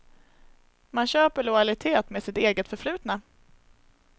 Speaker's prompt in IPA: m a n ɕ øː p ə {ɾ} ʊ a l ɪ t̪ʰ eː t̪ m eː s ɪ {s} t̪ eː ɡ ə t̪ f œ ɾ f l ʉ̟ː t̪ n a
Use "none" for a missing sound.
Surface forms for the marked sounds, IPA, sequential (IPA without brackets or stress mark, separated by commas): ɭ, none